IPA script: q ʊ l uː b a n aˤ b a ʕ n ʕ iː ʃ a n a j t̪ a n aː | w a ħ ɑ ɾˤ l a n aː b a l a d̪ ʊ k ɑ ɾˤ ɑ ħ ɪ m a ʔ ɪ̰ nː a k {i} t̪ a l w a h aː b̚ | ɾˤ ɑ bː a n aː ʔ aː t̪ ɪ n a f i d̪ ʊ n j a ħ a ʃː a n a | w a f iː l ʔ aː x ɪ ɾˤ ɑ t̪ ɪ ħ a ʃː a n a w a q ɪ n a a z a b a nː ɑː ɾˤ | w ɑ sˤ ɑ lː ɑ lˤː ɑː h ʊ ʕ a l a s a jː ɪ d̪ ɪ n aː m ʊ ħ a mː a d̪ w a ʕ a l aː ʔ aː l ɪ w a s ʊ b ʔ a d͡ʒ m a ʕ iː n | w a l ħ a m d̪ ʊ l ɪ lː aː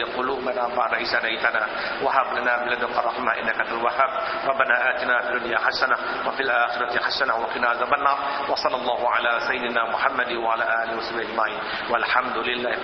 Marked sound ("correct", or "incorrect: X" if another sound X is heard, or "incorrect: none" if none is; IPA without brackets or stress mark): incorrect: a